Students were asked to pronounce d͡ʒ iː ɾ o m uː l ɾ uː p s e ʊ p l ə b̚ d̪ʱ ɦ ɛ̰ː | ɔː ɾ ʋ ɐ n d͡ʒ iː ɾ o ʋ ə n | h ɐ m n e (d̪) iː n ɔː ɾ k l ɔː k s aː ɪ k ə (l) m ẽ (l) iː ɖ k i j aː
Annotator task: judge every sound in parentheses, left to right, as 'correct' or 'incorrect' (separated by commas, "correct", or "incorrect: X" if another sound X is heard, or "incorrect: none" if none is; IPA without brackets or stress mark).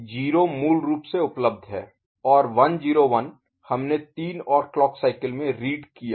incorrect: t̪, correct, incorrect: ɾ